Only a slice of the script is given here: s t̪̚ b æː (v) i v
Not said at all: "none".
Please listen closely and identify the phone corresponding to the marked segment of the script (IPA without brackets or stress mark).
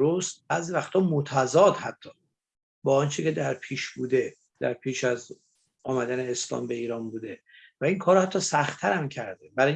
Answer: z